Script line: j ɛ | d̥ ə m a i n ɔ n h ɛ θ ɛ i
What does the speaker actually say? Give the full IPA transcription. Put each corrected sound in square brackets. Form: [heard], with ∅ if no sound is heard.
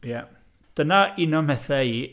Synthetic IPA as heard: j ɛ | d̥ ə [n] a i n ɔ [m] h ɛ θ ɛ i